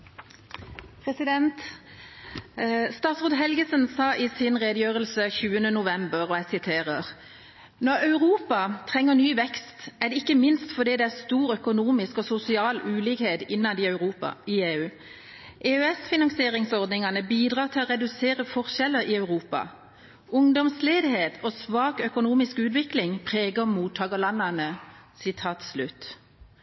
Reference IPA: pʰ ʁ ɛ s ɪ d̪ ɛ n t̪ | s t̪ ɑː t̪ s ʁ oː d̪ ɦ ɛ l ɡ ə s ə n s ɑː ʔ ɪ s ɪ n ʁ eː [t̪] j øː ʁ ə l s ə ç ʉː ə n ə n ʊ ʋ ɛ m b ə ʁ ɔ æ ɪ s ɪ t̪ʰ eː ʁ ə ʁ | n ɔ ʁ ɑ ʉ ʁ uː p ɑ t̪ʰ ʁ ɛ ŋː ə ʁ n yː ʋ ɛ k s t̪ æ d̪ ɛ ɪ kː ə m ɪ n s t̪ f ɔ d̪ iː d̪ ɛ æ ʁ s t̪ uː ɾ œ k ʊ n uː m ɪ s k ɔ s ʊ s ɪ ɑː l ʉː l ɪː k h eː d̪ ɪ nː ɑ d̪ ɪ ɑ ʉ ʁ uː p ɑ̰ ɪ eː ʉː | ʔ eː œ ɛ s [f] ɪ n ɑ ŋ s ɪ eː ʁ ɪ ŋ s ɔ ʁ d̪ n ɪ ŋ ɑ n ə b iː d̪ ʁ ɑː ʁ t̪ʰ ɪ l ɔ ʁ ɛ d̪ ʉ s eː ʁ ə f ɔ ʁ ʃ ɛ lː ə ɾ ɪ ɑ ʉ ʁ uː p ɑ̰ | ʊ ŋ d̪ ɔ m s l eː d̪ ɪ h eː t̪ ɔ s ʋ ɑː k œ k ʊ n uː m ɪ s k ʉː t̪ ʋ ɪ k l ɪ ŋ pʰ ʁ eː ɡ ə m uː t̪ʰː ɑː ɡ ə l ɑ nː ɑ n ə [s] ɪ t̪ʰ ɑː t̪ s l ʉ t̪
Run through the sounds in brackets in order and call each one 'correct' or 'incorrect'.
incorrect, correct, correct

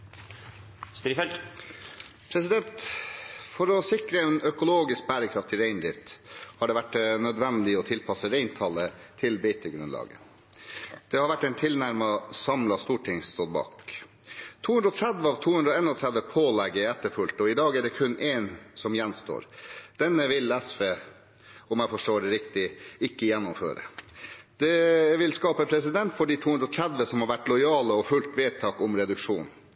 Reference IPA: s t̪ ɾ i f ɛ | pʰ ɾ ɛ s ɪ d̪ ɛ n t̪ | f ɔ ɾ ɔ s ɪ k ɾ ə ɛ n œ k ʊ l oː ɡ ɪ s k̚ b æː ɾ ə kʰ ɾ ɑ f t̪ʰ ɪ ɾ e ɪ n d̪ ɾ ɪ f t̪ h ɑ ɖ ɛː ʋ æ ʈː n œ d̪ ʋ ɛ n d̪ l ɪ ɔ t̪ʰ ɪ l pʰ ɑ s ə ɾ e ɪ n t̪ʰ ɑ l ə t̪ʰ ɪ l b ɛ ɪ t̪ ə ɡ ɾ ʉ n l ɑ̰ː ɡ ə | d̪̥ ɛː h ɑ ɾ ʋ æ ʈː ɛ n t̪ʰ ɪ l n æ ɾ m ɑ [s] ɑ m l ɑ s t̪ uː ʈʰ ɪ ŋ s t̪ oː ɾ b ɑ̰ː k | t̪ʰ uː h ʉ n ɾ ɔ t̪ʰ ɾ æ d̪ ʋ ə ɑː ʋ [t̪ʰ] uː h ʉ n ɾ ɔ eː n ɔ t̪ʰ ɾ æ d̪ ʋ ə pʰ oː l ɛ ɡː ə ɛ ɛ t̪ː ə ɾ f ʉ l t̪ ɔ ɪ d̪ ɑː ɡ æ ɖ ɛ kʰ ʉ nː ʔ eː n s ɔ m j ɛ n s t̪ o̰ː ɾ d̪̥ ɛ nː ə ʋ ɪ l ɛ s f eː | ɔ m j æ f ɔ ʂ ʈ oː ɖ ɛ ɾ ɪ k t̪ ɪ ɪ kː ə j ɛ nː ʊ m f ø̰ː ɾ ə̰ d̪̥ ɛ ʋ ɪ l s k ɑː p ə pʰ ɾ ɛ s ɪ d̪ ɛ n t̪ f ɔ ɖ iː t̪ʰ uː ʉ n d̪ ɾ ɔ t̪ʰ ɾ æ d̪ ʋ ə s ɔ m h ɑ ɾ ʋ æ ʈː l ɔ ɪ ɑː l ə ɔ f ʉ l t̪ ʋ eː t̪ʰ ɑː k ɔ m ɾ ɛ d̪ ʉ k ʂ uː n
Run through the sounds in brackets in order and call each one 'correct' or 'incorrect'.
correct, correct

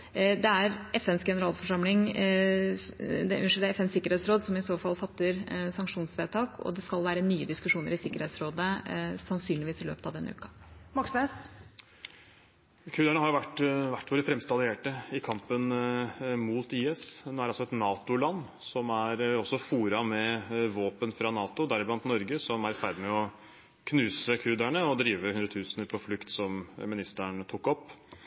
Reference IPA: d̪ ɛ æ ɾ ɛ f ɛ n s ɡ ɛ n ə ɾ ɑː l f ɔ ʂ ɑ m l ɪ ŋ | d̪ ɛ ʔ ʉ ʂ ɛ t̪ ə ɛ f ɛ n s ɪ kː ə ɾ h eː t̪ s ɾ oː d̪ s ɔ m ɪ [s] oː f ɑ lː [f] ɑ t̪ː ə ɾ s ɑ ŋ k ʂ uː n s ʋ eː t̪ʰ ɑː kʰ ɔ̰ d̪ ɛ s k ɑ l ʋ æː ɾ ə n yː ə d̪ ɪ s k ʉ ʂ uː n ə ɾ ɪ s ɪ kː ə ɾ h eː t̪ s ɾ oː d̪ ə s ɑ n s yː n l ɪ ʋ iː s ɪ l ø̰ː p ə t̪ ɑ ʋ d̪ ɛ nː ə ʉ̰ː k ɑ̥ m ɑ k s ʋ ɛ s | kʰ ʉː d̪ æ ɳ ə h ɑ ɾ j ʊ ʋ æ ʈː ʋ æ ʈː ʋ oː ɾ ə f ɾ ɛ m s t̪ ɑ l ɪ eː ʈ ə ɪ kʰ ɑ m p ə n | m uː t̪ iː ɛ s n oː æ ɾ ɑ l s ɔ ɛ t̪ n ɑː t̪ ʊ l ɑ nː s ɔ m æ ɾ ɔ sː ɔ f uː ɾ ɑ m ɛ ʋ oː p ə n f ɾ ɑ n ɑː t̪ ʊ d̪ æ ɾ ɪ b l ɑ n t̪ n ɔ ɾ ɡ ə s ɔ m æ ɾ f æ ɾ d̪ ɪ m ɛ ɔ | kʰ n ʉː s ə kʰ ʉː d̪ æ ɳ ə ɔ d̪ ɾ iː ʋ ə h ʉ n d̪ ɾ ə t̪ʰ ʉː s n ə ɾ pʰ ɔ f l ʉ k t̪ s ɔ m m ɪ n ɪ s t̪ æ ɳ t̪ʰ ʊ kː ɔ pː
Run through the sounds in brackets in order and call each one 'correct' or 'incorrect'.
correct, correct

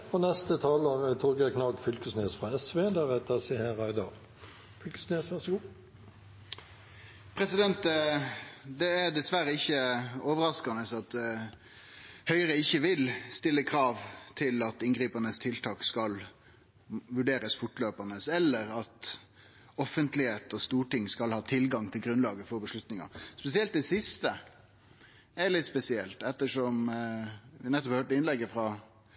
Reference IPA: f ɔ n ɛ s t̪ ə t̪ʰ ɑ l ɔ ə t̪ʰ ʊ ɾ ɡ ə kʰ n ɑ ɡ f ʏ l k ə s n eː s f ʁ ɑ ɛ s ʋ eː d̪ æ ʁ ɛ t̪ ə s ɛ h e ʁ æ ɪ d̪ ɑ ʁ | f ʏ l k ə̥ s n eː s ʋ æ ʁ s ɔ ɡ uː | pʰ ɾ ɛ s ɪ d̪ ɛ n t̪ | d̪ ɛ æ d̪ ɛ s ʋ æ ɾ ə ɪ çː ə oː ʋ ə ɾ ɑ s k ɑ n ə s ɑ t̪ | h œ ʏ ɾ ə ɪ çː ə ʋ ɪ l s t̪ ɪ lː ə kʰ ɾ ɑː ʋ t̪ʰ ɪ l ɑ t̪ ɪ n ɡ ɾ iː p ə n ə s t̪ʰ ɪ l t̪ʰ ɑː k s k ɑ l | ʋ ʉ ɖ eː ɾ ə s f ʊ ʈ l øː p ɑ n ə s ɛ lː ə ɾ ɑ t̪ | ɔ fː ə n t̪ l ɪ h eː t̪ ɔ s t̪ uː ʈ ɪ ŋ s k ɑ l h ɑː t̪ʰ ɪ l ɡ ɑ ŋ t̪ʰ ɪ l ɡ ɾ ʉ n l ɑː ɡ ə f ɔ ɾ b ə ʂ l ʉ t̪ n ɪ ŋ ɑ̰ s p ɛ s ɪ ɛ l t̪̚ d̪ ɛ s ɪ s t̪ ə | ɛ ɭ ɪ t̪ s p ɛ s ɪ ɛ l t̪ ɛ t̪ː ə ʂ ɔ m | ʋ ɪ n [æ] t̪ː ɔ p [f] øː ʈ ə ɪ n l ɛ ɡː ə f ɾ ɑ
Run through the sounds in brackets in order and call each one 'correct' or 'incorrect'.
incorrect, incorrect

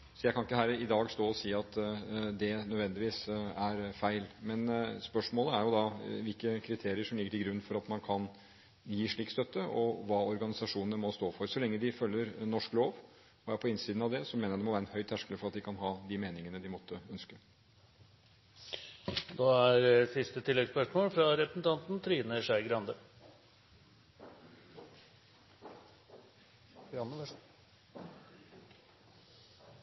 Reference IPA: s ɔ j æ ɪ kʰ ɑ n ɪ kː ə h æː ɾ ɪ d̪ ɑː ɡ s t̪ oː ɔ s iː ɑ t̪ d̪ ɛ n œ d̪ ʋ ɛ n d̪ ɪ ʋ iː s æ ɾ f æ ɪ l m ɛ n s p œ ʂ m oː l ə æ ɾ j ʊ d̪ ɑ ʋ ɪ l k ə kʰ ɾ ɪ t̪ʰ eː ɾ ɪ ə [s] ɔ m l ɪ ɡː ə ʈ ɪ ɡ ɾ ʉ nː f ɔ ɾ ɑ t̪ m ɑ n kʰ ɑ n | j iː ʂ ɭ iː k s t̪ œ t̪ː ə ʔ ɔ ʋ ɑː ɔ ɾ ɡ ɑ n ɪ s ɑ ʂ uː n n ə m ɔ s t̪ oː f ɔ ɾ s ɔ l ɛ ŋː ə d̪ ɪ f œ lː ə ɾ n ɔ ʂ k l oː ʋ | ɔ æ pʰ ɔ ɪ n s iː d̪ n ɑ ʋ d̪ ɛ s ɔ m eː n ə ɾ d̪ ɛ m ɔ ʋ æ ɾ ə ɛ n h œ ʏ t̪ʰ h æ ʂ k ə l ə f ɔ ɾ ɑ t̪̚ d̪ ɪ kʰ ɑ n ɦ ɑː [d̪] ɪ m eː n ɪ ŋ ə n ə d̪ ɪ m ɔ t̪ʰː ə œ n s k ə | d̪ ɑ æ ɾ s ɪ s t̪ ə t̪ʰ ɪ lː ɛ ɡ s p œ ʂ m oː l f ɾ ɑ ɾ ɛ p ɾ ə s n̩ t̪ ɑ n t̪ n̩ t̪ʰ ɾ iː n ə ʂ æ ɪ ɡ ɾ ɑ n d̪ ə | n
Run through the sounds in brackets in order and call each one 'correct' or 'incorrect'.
incorrect, correct

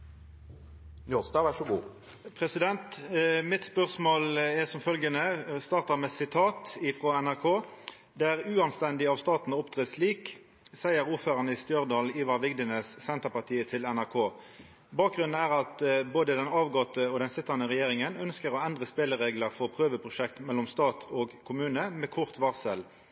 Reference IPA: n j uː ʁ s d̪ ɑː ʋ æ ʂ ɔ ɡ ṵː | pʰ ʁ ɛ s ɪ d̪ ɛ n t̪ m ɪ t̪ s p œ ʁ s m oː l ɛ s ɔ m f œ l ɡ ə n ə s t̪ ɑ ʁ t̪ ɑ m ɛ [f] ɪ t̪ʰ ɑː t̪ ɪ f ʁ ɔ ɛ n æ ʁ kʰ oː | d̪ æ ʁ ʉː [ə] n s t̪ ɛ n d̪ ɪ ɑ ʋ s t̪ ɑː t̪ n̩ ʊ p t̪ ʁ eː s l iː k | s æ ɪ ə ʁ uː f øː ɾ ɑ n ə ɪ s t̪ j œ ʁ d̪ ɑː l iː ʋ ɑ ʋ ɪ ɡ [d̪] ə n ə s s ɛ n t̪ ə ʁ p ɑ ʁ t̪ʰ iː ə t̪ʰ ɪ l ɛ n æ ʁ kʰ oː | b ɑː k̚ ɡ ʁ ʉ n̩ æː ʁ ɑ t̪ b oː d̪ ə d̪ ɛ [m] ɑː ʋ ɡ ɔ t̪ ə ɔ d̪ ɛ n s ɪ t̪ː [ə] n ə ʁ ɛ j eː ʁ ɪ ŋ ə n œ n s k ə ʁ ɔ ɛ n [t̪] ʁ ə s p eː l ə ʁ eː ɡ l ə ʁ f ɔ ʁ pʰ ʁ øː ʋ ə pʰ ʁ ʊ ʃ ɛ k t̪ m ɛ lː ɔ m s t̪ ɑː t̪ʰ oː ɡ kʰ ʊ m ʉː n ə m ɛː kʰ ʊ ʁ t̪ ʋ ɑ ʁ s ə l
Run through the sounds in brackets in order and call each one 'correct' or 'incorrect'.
incorrect, incorrect, correct, incorrect, incorrect, incorrect

